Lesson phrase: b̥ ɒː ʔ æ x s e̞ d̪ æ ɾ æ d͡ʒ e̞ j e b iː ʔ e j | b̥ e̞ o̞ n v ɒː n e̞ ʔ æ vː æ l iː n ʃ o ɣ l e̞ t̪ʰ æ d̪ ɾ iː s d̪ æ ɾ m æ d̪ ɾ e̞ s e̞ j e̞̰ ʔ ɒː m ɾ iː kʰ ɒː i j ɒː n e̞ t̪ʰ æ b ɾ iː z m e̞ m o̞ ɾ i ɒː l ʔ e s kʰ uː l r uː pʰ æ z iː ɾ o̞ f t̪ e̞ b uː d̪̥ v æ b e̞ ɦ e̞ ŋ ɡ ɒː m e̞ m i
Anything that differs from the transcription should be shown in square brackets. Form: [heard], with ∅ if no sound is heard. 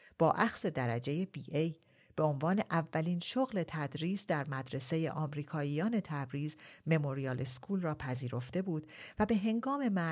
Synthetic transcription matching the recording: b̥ ɒː ʔ æ x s e̞ d̪ æ ɾ æ d͡ʒ e̞ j e b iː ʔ e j | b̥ e̞ o̞ n v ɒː n e̞ ʔ æ vː æ l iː n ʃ o ɣ l e̞ t̪ʰ æ d̪ ɾ iː s d̪ æ ɾ m æ d̪ ɾ e̞ s e̞ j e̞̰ ʔ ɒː m ɾ iː kʰ ɒː i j ɒː n e̞ t̪ʰ æ b ɾ iː z m e̞ m o̞ ɾ i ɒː l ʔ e s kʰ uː l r [ɒː] pʰ æ z iː ɾ o̞ f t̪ e̞ b uː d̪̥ v æ b e̞ ɦ e̞ ŋ ɡ ɒː m e̞ m [æ]